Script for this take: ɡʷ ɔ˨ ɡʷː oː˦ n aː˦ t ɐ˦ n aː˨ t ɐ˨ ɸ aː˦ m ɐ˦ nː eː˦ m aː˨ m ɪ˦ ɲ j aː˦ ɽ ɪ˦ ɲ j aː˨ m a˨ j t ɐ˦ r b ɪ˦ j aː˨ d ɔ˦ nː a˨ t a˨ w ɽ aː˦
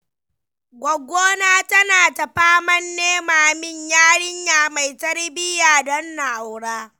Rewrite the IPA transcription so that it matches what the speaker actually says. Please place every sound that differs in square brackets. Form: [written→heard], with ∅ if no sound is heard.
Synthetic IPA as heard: ɡʷ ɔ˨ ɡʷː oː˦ n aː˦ t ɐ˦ n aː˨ t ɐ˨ ɸ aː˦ m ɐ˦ nː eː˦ m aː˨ m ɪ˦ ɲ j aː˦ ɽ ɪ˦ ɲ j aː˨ m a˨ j t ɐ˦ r b ɪ˦ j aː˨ d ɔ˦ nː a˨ [t→ʔ] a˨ w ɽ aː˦